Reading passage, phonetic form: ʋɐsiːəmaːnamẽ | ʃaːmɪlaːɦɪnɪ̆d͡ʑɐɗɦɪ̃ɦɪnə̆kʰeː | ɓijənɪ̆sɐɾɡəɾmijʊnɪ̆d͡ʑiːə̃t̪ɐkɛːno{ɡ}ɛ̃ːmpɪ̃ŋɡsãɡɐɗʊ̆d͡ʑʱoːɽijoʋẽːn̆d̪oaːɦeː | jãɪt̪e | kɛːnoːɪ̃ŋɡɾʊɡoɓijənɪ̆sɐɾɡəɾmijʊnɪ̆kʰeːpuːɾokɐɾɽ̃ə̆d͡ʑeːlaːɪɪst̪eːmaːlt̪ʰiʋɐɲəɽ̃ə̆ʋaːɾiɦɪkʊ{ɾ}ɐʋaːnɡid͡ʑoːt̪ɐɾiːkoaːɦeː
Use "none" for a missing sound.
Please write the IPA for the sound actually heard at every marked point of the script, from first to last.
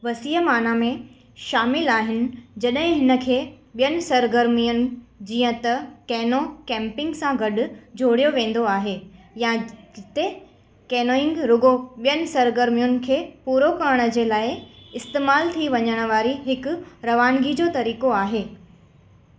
k, ɾ

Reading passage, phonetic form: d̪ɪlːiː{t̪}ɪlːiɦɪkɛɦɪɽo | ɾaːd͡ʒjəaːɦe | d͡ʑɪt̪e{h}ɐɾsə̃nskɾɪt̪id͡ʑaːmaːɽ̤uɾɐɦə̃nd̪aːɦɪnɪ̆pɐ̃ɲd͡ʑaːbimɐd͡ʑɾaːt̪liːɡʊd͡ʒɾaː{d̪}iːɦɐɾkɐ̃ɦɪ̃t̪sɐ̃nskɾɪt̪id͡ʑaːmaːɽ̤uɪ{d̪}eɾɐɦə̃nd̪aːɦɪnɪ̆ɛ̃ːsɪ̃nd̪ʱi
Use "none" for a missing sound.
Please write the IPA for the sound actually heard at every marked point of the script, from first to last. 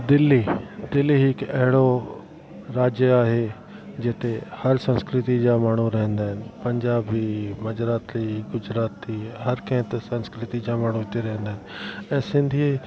d̪, h, t̪, t̪

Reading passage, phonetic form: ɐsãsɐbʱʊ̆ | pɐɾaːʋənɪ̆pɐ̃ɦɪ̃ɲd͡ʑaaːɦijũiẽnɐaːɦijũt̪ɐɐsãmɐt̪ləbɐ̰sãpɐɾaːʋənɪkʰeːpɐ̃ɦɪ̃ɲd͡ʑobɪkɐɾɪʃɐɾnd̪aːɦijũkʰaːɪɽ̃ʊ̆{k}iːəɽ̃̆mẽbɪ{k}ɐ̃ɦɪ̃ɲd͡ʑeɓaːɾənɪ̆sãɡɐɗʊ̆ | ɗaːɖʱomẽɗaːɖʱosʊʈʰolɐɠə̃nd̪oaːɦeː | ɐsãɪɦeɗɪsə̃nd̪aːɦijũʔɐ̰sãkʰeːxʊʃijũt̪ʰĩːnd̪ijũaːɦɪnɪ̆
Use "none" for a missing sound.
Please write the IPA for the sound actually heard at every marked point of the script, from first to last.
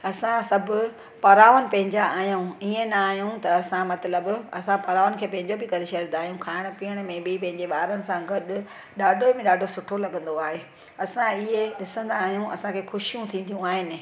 p, p

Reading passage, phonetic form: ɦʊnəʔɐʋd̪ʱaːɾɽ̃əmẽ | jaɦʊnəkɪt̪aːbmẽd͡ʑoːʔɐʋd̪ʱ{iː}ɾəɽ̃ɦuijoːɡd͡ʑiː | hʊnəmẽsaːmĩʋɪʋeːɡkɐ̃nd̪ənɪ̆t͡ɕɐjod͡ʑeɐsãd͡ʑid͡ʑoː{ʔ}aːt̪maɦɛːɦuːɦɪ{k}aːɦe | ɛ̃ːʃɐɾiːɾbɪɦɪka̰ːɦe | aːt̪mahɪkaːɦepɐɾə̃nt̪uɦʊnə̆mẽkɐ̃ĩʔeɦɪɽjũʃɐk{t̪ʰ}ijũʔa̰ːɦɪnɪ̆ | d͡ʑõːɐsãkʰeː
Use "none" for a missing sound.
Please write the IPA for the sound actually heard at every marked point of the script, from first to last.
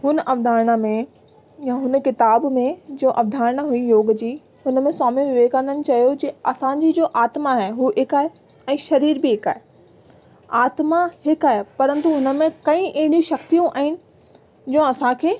aː, ʔ, k, t̪

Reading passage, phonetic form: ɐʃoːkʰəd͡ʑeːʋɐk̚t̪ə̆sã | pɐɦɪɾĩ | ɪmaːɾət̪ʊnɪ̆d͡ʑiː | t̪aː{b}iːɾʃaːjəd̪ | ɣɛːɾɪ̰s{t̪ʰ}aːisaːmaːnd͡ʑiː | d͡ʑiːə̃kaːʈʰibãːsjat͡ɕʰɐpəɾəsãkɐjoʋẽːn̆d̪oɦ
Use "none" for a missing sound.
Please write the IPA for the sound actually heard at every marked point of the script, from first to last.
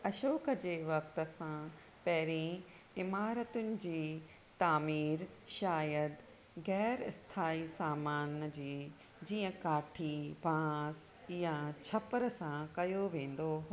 m, t̪ʰ

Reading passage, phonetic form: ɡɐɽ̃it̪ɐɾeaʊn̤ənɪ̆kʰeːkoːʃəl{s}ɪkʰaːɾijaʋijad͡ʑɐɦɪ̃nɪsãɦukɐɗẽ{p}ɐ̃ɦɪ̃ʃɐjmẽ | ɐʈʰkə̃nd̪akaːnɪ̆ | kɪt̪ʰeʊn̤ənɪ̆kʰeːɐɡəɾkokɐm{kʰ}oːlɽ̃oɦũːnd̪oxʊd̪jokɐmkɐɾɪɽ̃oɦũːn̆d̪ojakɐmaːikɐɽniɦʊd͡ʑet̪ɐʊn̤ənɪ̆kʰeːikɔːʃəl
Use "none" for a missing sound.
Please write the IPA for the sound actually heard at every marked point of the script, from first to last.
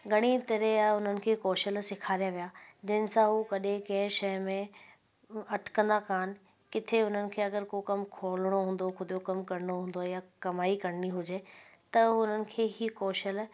s, k, kʰ

